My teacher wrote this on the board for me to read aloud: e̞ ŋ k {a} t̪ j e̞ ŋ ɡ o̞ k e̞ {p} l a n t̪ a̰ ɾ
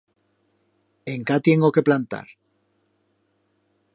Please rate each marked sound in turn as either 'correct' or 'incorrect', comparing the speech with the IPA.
correct, correct

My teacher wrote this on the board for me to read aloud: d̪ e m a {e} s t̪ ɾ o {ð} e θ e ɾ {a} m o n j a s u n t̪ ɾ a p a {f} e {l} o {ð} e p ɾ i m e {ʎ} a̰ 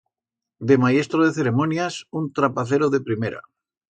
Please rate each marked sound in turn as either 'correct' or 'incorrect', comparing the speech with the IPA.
correct, correct, incorrect: e, incorrect: θ, incorrect: ɾ, correct, incorrect: ɾ

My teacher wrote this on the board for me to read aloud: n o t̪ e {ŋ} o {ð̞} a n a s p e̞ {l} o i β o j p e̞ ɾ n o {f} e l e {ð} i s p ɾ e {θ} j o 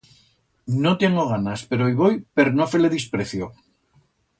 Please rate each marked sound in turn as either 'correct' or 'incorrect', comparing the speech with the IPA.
correct, incorrect: ɣ̞, incorrect: ɾ, correct, correct, correct

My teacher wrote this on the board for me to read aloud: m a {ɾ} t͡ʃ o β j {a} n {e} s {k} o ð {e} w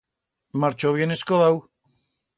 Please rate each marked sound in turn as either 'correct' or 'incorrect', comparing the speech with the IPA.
correct, incorrect: e, correct, correct, incorrect: a

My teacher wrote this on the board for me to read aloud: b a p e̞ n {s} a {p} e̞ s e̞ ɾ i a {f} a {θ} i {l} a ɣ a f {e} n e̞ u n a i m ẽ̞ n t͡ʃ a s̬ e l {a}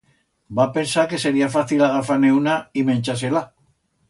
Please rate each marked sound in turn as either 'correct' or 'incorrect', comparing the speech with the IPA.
correct, incorrect: k, correct, correct, correct, incorrect: a, correct

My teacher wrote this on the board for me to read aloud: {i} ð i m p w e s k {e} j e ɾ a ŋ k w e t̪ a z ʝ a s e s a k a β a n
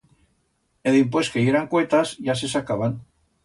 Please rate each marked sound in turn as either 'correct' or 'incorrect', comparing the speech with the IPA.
incorrect: e, correct

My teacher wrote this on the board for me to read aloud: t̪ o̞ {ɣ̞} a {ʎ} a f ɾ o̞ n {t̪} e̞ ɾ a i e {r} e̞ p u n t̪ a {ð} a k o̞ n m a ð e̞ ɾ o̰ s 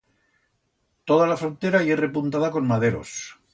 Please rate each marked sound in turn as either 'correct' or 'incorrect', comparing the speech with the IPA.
incorrect: ð̞, incorrect: l, correct, correct, correct

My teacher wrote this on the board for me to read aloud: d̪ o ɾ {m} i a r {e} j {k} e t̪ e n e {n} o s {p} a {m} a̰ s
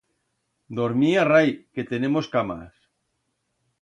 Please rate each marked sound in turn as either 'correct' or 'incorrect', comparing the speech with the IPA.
correct, incorrect: a, correct, incorrect: m, incorrect: k, correct

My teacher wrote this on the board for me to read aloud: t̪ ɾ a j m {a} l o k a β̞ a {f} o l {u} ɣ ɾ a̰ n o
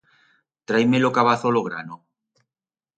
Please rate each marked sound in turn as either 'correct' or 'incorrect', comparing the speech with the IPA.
incorrect: e, incorrect: θ, incorrect: o

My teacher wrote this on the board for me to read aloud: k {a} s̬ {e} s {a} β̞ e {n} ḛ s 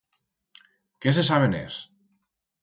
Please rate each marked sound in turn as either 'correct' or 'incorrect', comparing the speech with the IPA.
incorrect: e, correct, correct, correct

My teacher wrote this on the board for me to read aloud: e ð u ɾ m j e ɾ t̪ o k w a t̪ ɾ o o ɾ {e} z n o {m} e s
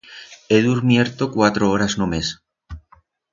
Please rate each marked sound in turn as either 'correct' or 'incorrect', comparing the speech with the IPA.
incorrect: a, correct

